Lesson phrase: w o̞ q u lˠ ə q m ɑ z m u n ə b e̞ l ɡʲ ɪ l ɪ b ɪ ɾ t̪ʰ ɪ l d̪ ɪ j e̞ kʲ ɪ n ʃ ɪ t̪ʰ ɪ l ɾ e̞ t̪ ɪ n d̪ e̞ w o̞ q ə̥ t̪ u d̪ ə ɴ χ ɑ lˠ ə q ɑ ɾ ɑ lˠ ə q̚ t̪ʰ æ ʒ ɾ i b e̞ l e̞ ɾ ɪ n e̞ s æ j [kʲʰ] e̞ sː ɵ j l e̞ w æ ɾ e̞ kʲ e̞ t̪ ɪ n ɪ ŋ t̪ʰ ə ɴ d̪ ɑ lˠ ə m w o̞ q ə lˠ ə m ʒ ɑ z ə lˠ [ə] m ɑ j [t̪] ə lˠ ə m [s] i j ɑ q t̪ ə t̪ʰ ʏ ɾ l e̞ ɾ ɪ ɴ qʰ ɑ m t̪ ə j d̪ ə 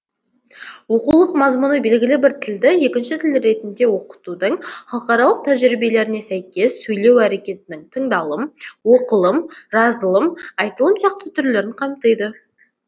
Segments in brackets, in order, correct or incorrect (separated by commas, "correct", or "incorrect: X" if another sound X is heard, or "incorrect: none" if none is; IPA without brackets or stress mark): incorrect: kʲ, correct, correct, correct